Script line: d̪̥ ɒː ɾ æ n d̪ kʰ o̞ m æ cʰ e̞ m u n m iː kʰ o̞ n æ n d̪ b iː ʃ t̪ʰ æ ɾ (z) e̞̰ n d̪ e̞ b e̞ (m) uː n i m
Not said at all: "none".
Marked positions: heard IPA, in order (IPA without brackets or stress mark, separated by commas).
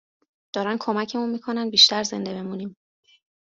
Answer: z, m